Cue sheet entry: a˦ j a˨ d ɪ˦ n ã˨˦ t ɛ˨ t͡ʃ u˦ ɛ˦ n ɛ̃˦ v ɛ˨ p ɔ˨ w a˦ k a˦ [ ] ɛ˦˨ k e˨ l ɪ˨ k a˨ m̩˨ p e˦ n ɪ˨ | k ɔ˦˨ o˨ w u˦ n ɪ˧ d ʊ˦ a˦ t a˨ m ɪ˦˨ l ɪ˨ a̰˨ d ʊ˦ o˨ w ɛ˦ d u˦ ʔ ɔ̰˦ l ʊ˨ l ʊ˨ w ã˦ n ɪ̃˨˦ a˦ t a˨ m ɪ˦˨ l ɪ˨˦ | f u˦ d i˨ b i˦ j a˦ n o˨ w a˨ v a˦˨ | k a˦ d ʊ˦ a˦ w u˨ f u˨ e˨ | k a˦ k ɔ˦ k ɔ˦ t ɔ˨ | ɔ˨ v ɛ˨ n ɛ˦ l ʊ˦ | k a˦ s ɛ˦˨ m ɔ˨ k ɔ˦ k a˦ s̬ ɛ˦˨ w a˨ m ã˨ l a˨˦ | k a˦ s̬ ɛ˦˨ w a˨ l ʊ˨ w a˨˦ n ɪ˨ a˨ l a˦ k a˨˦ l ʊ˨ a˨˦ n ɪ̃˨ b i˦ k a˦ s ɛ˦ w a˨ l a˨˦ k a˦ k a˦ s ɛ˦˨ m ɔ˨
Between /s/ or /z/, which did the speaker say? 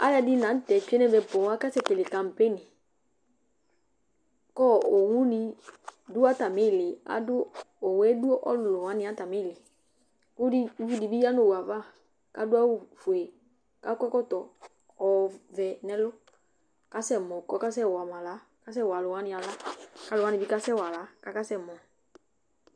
s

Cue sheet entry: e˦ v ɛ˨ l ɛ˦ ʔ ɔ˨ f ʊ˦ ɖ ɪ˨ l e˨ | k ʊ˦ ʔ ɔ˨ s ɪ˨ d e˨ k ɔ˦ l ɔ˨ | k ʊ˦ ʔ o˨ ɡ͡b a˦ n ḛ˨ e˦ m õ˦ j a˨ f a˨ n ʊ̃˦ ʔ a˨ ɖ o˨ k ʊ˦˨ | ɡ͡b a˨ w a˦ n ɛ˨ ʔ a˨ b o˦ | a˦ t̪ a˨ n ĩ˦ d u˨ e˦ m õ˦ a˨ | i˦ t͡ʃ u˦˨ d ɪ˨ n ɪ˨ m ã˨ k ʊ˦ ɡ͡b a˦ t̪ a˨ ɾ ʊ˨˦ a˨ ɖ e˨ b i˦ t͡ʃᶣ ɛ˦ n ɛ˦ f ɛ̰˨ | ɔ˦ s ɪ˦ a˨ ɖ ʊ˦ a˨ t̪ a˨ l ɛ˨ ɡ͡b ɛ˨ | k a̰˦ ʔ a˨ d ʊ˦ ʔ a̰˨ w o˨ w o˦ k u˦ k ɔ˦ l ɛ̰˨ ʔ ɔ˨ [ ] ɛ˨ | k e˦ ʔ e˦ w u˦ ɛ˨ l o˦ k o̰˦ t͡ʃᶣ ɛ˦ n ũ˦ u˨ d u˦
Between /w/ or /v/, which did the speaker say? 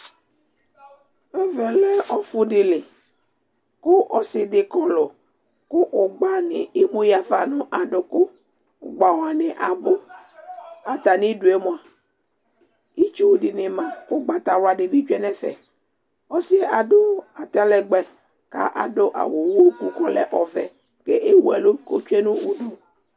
v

